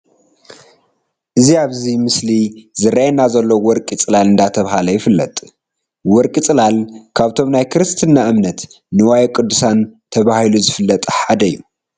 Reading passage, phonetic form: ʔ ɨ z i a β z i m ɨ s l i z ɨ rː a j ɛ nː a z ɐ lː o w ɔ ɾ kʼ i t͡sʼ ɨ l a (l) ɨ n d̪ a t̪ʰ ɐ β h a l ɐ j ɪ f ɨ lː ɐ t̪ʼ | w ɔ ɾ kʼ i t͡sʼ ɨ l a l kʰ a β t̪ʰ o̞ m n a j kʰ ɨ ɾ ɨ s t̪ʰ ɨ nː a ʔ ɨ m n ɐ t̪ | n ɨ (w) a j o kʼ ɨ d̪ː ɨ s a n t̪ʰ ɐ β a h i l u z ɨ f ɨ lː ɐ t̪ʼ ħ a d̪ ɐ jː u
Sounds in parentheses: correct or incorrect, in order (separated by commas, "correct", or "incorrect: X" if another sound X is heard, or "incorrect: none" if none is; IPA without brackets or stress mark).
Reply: correct, correct